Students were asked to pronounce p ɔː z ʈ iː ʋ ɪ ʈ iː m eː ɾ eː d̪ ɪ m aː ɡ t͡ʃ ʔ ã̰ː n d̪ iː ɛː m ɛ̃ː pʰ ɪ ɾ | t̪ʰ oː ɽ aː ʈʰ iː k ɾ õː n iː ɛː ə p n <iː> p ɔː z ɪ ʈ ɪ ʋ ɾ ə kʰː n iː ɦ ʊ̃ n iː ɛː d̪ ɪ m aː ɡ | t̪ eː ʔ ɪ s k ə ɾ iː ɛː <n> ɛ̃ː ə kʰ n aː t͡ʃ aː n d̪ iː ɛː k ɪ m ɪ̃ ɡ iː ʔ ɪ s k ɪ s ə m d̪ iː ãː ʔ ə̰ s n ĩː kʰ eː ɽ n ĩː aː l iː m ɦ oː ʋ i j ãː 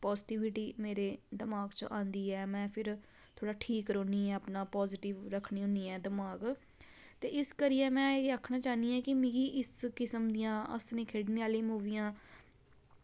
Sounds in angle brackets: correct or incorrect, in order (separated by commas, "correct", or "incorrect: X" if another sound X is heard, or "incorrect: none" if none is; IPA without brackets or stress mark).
incorrect: aː, incorrect: m